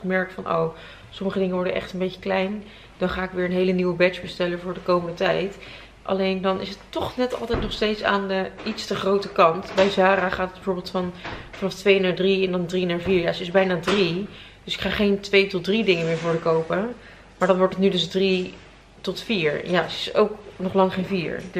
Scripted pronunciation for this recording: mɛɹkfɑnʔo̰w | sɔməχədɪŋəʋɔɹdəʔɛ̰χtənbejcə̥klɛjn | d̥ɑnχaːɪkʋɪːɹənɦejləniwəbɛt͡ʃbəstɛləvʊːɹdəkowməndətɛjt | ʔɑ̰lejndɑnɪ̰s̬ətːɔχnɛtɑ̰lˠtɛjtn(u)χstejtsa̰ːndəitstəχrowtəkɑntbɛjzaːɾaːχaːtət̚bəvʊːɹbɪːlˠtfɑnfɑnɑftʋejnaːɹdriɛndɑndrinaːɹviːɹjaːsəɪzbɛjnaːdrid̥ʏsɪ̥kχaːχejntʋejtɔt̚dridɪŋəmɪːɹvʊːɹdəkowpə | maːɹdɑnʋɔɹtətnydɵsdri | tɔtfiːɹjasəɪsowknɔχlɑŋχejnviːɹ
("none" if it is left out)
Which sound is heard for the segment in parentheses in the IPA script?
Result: ɔ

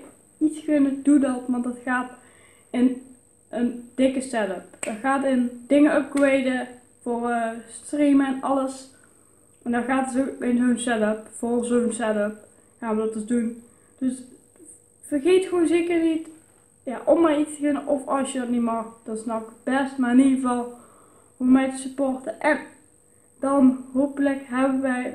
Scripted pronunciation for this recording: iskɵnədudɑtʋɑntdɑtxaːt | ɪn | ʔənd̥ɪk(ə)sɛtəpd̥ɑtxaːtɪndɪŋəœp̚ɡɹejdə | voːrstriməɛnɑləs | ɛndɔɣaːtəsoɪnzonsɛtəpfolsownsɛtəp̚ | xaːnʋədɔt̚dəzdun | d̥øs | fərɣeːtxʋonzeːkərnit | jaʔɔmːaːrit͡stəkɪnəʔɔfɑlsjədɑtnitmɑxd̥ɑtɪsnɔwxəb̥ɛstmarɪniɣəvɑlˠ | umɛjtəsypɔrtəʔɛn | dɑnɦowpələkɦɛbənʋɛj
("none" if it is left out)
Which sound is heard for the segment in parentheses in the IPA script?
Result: ə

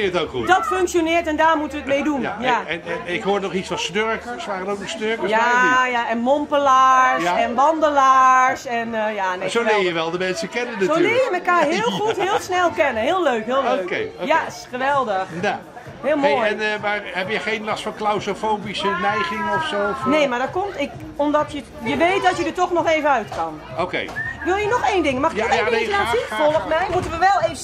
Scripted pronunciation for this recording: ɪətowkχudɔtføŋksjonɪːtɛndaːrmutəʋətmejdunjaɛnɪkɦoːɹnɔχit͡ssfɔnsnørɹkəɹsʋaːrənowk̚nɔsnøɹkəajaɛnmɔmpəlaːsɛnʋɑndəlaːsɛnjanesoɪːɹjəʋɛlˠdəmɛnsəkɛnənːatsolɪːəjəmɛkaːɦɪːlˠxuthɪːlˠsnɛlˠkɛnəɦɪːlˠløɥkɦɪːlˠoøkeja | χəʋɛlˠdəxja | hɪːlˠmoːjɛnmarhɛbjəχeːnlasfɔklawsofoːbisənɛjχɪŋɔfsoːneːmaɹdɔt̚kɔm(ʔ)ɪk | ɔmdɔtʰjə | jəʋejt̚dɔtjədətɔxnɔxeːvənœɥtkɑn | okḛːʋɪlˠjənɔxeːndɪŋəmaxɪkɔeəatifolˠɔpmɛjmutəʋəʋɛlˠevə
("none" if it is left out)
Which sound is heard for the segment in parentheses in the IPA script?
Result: t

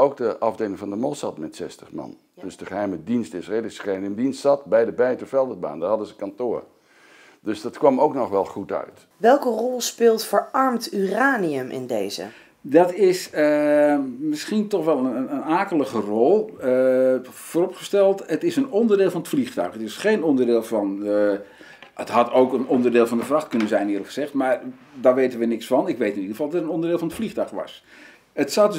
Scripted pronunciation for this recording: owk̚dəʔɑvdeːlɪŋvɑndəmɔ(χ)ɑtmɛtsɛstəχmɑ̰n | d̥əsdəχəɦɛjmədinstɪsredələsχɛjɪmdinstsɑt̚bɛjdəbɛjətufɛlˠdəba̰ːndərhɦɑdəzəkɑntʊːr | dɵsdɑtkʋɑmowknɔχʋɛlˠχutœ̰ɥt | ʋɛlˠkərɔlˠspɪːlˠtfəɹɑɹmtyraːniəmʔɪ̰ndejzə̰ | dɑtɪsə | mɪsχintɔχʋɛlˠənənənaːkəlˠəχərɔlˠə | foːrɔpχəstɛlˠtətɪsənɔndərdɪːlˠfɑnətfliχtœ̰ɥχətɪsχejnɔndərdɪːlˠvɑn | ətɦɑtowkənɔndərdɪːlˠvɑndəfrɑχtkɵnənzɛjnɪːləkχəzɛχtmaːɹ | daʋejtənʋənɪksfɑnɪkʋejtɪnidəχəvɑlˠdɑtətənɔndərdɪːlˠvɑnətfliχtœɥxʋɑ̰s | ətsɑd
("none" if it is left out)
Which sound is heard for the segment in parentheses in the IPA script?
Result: s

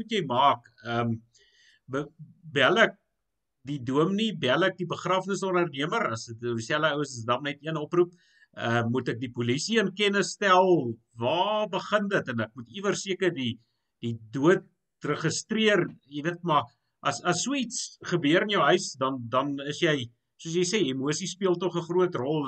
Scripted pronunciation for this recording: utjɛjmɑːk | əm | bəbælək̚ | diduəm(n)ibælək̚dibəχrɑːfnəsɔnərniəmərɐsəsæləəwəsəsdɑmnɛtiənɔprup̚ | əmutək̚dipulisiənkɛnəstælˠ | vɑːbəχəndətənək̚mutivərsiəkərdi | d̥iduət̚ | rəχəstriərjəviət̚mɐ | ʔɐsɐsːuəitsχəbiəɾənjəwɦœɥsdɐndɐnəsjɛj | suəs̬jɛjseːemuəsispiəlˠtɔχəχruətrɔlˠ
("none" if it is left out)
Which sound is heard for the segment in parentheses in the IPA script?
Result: n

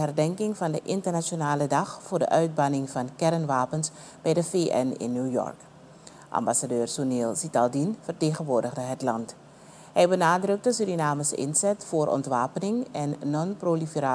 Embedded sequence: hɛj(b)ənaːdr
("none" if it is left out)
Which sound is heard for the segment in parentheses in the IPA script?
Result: b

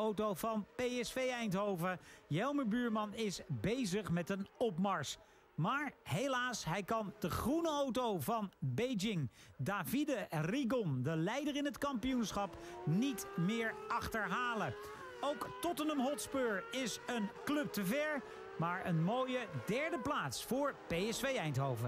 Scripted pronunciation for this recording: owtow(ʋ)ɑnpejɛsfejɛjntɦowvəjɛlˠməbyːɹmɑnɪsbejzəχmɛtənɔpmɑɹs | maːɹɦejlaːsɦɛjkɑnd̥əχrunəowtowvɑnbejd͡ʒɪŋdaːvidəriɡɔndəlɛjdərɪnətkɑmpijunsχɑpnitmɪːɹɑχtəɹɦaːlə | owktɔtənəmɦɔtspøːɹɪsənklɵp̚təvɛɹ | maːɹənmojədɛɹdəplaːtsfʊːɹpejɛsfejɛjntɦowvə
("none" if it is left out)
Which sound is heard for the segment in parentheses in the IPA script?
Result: v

